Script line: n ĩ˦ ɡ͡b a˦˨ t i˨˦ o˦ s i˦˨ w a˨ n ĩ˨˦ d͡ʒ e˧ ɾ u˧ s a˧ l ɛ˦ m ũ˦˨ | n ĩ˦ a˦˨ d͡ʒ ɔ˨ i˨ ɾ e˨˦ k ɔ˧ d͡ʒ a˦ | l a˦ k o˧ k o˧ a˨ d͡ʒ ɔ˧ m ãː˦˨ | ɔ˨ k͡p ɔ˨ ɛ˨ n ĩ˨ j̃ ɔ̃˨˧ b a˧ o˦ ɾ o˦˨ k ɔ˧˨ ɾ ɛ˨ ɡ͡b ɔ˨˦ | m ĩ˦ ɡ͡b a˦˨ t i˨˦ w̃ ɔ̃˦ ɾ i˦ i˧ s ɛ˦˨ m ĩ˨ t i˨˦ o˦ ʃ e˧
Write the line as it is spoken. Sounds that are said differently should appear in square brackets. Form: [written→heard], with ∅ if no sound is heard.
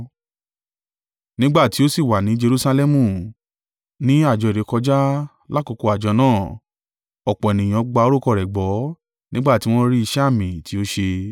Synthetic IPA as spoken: n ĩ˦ ɡ͡b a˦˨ t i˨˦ o˦ s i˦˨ w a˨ n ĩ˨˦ d͡ʒ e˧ ɾ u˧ s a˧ l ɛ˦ m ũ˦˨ | n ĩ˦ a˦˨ d͡ʒ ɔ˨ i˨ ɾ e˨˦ k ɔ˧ d͡ʒ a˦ | l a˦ k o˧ k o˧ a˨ d͡ʒ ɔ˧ [m→n] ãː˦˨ | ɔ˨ k͡p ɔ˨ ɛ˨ n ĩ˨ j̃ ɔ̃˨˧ [b→ɡ͡b] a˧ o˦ ɾ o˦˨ k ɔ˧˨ ɾ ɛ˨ ɡ͡b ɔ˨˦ | [m→n] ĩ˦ ɡ͡b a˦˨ t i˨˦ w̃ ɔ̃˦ ɾ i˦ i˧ [s→ʃ] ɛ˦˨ m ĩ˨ t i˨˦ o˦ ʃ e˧